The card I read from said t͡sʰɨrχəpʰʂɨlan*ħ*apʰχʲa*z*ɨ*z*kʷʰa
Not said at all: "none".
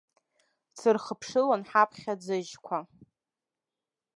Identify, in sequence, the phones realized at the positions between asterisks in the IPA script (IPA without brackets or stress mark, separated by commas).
ħ, d͡z, ʒ